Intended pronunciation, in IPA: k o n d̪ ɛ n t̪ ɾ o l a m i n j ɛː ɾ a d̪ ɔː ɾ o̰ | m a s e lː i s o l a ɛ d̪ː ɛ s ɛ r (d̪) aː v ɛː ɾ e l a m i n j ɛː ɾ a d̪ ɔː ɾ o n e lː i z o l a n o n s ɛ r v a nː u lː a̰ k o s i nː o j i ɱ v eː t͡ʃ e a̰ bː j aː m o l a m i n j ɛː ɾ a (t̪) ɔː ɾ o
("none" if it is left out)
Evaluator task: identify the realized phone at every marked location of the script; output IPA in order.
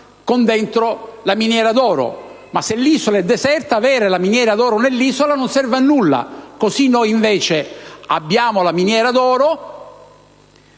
t̪, d̪

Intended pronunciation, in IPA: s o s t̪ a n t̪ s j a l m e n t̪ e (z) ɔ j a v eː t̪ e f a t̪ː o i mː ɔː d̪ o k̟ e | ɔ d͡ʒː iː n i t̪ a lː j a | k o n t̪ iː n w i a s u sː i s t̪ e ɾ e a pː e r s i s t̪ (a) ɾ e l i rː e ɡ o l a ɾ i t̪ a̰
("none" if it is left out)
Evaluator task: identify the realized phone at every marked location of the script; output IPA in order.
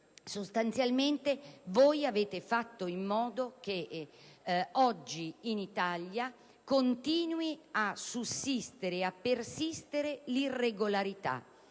v, e

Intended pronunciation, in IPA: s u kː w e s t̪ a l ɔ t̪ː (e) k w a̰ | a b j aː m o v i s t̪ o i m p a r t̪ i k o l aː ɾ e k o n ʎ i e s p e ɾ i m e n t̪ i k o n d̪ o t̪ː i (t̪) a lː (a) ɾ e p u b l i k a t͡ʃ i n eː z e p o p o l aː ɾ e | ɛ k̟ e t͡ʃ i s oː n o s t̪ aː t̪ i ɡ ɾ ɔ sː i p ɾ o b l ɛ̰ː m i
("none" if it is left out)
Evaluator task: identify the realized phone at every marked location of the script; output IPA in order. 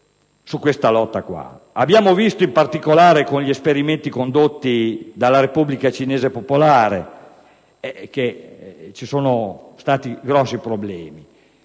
a, d̪, a

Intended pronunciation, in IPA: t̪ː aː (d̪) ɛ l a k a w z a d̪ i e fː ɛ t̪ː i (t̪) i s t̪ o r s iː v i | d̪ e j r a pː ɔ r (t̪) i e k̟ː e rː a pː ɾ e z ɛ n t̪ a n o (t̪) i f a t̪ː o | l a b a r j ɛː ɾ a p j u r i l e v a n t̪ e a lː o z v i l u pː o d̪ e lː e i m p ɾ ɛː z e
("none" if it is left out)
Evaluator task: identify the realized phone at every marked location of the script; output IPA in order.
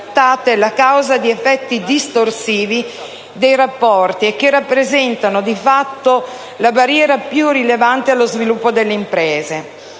t̪, d̪, t̪, d̪

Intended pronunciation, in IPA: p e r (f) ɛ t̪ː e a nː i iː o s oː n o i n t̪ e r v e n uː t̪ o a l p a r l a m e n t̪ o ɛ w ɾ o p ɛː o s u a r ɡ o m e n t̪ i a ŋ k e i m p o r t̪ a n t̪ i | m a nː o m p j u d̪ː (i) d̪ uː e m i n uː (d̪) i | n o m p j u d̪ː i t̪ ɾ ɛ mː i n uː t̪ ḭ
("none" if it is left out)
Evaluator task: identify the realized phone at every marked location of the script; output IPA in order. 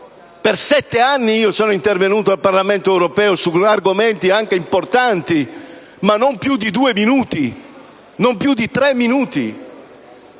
s, i, t̪

